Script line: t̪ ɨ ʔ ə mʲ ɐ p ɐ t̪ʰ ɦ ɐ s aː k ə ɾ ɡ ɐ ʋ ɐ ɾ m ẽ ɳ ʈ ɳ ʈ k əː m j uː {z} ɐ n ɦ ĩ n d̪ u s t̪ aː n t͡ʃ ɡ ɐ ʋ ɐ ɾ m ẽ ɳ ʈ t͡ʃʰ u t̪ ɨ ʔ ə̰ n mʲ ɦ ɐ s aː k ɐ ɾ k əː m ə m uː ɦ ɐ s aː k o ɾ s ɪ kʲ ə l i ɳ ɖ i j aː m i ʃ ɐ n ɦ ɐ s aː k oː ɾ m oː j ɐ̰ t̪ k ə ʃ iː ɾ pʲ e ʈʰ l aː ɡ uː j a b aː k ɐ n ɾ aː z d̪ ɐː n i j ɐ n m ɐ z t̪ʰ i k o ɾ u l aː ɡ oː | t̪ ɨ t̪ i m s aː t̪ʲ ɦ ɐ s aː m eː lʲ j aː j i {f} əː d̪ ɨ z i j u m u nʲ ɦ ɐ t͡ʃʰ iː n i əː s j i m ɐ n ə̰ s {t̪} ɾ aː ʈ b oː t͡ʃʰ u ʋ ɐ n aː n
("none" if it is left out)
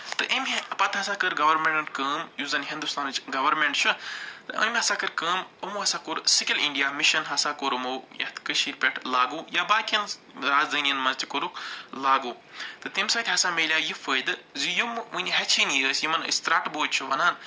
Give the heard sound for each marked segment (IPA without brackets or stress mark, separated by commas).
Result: z, f, t̪